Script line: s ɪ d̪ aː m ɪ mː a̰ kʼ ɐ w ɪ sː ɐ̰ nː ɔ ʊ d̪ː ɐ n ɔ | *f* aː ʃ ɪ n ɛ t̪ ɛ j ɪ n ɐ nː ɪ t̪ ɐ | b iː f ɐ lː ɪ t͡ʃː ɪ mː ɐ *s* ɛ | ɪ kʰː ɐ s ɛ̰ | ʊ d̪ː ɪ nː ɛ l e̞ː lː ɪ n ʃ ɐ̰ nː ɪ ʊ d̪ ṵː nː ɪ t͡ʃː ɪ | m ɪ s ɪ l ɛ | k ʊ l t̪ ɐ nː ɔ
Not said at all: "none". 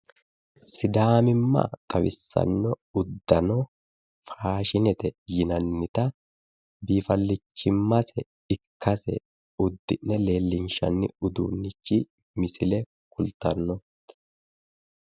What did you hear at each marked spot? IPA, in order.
f, s

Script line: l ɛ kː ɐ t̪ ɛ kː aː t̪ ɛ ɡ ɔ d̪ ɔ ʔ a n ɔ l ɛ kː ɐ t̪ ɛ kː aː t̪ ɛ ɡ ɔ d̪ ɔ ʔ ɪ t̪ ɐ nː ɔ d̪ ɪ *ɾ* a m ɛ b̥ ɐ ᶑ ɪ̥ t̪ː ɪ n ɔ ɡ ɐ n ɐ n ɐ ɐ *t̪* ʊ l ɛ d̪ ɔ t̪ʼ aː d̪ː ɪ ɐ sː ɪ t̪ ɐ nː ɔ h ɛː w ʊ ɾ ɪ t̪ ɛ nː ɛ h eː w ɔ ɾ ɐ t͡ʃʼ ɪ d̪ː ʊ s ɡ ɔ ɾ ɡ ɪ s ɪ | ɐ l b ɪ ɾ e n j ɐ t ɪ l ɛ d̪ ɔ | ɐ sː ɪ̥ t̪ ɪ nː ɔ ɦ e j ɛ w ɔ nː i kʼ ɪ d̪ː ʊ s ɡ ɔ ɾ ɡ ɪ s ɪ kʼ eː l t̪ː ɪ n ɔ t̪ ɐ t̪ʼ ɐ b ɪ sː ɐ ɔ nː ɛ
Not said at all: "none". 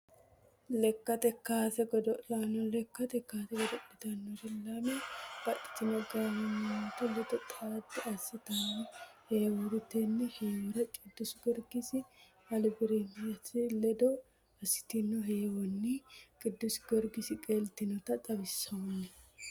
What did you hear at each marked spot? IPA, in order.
l, t̪

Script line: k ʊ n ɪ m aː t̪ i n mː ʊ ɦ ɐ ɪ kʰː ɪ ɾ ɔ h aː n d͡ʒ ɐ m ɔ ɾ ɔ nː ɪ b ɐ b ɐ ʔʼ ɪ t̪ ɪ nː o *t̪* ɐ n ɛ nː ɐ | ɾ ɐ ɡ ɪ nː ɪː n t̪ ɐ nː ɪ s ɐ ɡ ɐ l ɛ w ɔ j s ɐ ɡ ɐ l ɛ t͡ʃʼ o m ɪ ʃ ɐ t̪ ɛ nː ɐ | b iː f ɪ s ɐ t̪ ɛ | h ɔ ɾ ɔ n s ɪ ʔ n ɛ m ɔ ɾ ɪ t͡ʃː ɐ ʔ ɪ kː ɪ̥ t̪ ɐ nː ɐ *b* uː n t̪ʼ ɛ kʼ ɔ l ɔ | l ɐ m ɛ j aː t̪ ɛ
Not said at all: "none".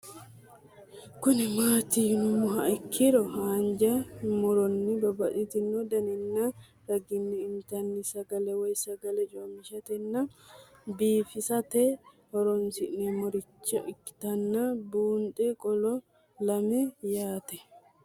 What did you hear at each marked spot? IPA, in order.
d̪, b

